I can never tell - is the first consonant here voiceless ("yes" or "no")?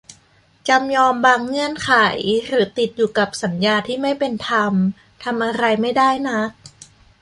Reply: yes